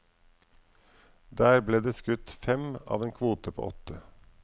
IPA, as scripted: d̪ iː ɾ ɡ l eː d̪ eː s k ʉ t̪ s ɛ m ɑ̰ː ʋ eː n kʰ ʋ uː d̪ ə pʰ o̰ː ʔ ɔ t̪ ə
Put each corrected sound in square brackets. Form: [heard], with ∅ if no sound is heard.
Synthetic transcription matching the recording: d̪ [æː] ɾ [b] l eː d̪ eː s k ʉ t̪ [f] ɛ m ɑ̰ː ʋ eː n kʰ ʋ uː [t̪] ə pʰ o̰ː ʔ ɔ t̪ ə